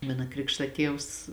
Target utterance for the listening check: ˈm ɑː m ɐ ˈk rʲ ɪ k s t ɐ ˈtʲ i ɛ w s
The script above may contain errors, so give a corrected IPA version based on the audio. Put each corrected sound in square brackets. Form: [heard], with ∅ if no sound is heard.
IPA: ˈm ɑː [n] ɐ ˈk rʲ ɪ k [ʃ] t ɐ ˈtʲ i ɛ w s